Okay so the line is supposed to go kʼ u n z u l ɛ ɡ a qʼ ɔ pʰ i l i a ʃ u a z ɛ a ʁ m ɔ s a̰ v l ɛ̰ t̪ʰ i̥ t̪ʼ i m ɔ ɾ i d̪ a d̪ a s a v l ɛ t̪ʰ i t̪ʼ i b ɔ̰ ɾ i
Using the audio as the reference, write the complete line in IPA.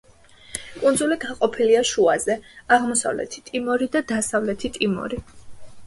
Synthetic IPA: kʼ u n z u l i ɡ a qʼ ɔ pʰ i l i a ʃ u a z ɛ a ʁ m ɔ s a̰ v l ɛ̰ t̪ʰ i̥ t̪ʼ i m ɔ ɾ i d̪ a d̪ a s a v l ɛ t̪ʰ i t̪ʼ i m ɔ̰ ɾ i